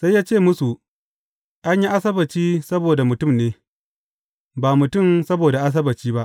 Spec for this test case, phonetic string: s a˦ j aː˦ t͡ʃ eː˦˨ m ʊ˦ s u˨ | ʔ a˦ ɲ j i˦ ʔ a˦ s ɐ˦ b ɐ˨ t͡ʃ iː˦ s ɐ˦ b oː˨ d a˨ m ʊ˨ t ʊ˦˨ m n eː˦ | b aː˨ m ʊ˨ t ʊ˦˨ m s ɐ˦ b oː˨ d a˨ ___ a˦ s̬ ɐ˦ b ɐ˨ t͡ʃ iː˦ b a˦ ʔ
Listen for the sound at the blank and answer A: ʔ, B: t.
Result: A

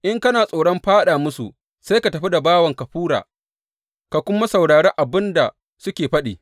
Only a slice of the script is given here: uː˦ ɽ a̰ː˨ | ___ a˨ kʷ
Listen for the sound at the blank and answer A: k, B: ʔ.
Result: A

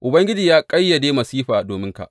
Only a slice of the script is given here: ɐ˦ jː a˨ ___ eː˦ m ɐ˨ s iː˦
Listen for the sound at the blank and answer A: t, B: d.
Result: B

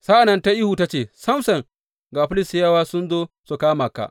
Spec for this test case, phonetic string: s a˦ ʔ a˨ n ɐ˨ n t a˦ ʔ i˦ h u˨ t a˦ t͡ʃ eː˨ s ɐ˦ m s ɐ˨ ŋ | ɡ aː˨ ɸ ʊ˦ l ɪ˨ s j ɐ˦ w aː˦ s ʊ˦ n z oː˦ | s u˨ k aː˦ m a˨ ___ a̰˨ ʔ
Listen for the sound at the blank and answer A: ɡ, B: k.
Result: B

